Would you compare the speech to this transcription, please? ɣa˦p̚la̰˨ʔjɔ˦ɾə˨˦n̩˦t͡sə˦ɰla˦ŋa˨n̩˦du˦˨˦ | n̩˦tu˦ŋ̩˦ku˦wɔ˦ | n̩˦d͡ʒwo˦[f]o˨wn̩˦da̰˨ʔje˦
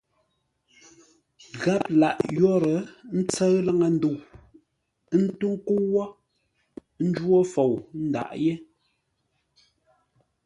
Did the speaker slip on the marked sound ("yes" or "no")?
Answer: no